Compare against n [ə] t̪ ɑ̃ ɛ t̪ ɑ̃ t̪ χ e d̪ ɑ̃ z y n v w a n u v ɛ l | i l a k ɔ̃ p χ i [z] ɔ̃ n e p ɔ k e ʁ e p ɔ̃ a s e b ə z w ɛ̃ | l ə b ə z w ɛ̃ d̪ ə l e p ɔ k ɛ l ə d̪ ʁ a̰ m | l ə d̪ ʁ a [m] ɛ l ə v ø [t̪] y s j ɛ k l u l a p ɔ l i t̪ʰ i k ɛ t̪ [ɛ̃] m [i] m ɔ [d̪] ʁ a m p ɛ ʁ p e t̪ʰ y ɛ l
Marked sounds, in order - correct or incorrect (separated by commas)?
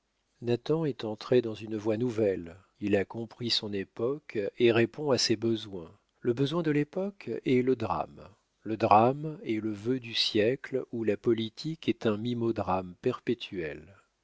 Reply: incorrect, incorrect, correct, incorrect, correct, correct, correct